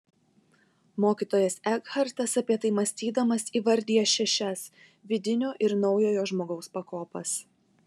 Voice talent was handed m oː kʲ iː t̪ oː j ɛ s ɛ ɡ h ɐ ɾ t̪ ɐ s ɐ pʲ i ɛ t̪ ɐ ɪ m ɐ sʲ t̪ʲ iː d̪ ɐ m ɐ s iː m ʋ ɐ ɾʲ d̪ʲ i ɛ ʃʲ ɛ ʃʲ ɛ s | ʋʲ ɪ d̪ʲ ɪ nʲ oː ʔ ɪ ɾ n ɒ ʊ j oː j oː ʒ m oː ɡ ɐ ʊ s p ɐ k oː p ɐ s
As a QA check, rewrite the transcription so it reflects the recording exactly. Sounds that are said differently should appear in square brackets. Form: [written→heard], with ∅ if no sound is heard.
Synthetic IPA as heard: m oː kʲ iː t̪ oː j ɛ s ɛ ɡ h ɐ ɾ t̪ ɐ s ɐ pʲ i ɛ t̪ ɐ ɪ m ɐ sʲ t̪ʲ iː d̪ ɐ m ɐ s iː [m→∅] ʋ ɐ ɾʲ d̪ʲ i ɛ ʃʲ ɛ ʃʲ ɛ s | ʋʲ ɪ d̪ʲ ɪ nʲ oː ʔ ɪ ɾ n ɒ ʊ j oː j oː ʒ m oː ɡ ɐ ʊ s p ɐ k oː p ɐ s